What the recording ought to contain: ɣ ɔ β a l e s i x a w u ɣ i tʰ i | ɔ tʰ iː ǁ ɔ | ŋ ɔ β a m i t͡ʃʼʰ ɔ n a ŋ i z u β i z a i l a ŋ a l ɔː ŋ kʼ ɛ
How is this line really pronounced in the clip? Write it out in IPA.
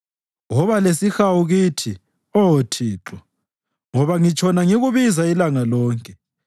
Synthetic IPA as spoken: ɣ ɔ β a l e s i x a w u ɣ i tʰ i | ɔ tʰ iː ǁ ɔ | ŋ ɔ β a ŋ i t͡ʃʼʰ ɔ n a ŋ i ɣ u β i z a i l a ŋ a l ɔː ŋ kʼ ɛ